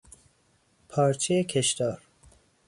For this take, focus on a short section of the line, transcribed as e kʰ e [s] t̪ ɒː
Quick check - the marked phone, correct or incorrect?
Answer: incorrect